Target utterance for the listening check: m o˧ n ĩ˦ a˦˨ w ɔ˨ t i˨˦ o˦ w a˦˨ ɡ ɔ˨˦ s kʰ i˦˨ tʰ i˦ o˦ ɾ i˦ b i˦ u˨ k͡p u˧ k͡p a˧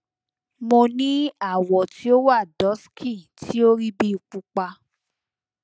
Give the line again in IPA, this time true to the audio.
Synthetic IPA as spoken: m o˧ n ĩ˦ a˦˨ w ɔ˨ t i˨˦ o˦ w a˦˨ d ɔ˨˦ s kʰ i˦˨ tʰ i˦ o˦ ɾ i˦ b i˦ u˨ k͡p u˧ k͡p a˧

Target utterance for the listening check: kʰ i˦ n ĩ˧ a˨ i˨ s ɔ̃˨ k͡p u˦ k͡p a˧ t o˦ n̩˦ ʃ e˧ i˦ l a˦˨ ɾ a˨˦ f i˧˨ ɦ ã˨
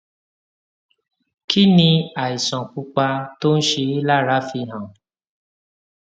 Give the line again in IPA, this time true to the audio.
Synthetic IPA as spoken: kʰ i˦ n ĩ˧ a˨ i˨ s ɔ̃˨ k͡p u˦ k͡p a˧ t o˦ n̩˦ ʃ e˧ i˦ l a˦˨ ɾ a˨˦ f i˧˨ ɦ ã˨

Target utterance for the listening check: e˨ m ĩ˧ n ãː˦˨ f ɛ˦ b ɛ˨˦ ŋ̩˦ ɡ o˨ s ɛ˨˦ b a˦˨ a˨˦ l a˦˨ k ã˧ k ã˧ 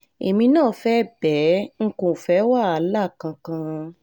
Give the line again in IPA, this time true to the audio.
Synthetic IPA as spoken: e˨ m ĩ˧ n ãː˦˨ f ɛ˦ b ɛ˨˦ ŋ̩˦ k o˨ f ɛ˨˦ w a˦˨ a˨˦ l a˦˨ k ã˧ k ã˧

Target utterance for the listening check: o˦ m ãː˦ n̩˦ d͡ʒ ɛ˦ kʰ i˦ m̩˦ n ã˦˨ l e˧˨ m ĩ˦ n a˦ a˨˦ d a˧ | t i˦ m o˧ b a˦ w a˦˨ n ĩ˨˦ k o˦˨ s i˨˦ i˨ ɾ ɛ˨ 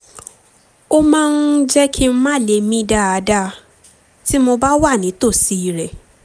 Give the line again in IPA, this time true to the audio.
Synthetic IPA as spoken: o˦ m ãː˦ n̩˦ d͡ʒ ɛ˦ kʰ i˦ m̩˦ m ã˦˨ l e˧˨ m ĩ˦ d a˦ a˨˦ d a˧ | t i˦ m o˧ b a˦ w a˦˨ n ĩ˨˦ t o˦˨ s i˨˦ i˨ ɾ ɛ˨

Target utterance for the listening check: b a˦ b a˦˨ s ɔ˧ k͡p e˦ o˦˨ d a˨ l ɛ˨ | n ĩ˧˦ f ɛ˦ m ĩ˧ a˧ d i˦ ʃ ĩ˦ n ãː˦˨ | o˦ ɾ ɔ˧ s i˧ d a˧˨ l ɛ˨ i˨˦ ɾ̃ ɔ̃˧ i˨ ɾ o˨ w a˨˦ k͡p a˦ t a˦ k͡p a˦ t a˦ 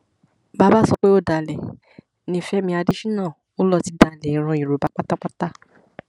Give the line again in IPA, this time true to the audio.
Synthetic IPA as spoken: b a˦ b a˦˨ s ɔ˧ k͡p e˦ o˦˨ d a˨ l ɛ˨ | n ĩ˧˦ f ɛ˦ m ĩ˧ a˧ d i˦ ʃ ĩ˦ n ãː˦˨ | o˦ l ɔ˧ t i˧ d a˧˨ l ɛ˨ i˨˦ ɾ̃ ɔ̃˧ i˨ ɾ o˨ b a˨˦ k͡p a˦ t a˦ k͡p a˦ t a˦

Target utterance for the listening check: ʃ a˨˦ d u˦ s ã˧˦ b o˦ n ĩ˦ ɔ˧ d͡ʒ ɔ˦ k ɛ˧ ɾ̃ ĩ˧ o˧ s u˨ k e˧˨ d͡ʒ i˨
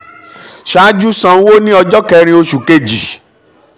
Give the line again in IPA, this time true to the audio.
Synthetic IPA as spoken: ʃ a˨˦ d͡ʒ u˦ s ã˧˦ w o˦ n ĩ˦ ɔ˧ d͡ʒ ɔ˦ k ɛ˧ ɾ̃ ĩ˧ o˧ ʃ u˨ k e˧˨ d͡ʒ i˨

